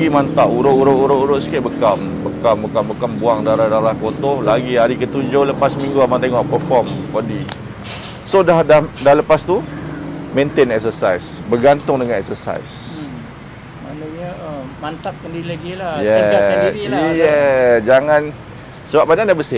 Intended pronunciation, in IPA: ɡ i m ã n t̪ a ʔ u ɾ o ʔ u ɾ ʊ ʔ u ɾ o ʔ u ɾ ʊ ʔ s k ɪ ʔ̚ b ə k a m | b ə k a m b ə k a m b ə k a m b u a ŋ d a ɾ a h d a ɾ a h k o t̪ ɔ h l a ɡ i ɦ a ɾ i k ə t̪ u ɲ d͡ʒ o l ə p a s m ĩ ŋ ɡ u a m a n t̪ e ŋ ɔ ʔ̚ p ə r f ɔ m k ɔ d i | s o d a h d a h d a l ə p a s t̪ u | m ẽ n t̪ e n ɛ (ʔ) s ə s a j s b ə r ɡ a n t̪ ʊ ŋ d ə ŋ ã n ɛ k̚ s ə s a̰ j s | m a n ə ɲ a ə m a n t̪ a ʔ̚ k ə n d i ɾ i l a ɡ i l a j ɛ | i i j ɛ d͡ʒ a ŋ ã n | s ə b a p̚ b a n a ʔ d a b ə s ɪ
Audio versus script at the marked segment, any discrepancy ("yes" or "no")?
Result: yes